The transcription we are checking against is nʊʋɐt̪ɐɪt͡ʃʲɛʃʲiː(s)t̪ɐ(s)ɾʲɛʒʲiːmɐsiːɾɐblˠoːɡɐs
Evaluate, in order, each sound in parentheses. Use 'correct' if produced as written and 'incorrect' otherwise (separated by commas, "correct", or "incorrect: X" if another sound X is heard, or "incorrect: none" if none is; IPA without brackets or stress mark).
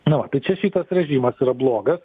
incorrect: none, correct